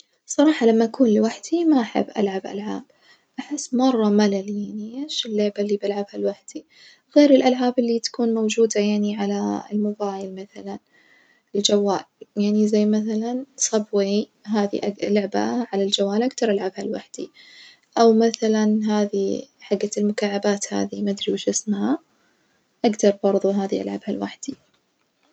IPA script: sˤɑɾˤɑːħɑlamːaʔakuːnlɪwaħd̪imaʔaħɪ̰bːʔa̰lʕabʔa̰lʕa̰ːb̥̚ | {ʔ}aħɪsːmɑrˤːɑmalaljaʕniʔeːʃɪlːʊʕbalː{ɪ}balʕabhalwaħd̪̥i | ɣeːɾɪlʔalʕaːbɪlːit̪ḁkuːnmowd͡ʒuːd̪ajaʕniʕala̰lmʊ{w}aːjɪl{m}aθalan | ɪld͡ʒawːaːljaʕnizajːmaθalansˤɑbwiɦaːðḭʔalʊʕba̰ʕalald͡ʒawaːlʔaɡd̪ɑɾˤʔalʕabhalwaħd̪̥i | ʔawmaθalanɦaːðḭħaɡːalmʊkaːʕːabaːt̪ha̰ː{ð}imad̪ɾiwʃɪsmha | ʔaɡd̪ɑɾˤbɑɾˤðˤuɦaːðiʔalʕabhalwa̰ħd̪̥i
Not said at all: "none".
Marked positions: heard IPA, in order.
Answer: ʔ, i, b, m, ð

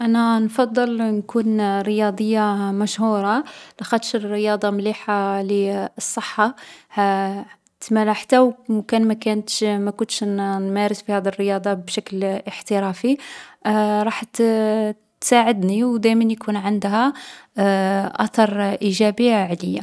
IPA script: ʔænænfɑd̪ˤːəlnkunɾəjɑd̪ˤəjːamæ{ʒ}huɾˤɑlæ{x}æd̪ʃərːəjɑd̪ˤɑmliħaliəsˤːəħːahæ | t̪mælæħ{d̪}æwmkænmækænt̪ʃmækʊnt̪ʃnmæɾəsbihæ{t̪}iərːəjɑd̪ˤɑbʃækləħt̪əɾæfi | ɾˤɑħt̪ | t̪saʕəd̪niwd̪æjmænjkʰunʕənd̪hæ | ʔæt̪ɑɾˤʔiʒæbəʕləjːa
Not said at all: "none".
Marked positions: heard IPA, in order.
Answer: ʃ, x, t̪, d̪

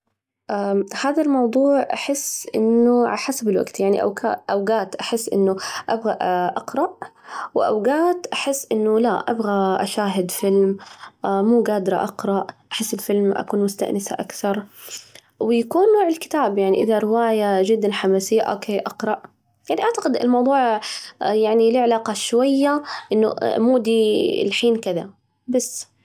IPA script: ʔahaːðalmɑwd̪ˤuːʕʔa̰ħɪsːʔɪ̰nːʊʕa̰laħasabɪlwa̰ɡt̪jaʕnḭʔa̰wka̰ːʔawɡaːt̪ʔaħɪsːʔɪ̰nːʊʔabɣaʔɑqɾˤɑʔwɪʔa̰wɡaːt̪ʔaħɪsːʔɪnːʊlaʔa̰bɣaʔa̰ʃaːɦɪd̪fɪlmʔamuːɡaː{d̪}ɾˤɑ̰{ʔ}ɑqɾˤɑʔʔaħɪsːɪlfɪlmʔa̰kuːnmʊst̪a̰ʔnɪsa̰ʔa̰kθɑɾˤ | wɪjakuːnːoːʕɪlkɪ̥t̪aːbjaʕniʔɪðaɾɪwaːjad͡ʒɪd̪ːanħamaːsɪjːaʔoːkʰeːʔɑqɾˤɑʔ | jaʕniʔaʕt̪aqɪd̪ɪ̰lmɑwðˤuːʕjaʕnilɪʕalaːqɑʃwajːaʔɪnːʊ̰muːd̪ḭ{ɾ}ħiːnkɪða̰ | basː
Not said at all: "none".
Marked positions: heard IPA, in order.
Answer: d̪, ʔ, l

